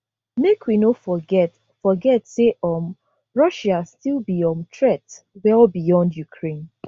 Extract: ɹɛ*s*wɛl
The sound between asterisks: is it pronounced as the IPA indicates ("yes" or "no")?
no